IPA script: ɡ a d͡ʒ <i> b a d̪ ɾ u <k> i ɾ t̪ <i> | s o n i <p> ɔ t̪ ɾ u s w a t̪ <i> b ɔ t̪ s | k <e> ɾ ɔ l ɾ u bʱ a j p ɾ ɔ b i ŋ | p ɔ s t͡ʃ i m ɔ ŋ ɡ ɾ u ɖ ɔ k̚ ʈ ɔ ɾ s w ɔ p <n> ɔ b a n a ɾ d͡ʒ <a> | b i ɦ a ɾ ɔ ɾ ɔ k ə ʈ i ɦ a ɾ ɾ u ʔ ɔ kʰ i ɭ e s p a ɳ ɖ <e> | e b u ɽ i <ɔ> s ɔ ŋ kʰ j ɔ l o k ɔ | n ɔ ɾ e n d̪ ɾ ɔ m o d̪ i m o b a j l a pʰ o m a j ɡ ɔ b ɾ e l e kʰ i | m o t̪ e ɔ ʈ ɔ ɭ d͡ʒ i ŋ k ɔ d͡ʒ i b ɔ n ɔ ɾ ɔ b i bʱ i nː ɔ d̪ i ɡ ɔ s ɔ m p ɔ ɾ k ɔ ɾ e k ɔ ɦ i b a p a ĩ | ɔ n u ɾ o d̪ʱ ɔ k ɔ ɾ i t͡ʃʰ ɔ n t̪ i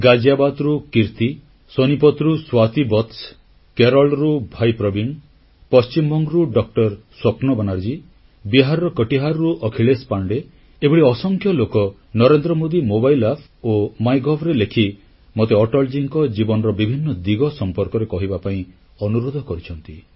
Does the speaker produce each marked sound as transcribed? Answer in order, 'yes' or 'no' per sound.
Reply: no, yes, yes, yes, yes, yes, yes, no, yes, yes

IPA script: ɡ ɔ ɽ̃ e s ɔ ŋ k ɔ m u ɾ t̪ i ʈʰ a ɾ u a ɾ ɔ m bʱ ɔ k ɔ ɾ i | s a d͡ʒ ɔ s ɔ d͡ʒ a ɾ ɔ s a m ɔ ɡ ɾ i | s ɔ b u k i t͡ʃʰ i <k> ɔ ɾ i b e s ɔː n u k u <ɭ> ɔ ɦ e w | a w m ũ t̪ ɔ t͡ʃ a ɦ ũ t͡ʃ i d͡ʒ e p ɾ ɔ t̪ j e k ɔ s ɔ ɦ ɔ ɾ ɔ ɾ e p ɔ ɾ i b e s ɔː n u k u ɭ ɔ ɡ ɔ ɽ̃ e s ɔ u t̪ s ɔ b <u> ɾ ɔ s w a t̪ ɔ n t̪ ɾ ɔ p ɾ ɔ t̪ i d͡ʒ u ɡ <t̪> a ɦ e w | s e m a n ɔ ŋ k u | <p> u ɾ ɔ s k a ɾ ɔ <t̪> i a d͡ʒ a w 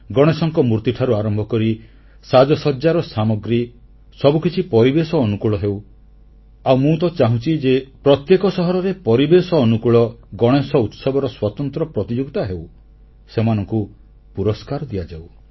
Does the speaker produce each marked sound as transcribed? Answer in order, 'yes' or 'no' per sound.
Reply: no, yes, no, yes, yes, no

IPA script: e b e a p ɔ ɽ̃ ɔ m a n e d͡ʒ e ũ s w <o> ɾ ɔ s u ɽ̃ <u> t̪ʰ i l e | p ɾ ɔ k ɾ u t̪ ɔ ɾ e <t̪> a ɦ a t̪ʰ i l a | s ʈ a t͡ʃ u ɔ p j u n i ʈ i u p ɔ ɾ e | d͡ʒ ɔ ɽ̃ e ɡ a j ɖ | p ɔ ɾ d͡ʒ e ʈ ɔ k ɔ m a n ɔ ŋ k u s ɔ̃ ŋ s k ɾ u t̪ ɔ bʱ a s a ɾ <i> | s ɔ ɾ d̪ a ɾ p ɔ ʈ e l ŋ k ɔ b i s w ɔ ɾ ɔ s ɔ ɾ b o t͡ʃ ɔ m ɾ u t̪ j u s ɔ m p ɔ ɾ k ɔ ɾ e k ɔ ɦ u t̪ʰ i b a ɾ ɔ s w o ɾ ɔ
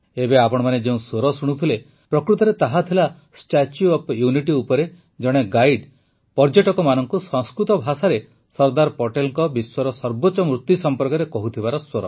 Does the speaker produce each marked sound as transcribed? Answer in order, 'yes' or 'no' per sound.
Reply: yes, yes, yes, no

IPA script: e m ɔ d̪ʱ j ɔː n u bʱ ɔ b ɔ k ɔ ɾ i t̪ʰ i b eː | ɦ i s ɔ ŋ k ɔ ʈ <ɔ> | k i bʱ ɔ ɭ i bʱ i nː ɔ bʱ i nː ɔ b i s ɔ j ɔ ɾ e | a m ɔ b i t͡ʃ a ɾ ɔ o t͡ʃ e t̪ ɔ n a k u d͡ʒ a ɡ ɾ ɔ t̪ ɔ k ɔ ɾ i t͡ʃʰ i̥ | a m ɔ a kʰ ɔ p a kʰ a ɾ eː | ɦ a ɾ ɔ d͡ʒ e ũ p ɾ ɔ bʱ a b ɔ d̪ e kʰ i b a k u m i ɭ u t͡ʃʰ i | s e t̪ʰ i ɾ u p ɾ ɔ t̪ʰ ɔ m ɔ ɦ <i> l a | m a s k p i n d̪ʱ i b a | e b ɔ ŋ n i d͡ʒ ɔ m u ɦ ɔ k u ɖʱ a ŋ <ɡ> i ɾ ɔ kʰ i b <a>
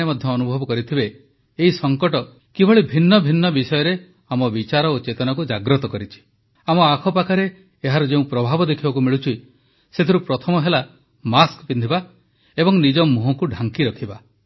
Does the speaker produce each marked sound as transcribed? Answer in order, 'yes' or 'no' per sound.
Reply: yes, no, no, yes

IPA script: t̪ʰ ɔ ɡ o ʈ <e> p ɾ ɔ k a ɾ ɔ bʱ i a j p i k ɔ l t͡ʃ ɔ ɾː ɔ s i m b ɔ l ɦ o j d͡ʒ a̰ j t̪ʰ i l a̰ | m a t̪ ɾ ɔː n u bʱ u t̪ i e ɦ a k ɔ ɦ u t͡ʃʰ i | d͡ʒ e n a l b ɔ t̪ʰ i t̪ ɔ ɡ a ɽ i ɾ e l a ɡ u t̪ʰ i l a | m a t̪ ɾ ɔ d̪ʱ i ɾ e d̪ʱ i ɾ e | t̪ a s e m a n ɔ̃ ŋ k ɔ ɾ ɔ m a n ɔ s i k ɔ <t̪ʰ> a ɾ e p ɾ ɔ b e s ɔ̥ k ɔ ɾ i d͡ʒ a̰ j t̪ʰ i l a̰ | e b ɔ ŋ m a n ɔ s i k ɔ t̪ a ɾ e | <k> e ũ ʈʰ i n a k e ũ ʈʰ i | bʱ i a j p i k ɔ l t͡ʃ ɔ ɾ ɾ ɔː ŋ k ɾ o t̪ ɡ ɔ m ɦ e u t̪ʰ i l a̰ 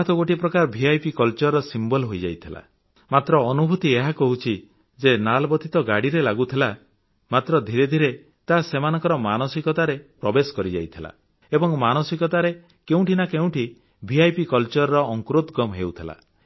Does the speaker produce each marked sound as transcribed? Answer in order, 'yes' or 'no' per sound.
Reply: no, no, yes

